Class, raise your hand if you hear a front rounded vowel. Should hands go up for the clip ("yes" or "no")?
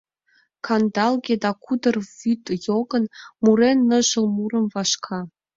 yes